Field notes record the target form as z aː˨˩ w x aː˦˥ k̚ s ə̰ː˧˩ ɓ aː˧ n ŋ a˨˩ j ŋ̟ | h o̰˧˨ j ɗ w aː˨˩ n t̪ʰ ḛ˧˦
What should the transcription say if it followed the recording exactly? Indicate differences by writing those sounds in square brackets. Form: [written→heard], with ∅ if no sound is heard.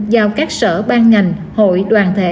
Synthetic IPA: z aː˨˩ w [x→k] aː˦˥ k̚ s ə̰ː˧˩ ɓ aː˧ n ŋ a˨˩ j ŋ̟ | h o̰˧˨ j ɗ w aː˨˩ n t̪ʰ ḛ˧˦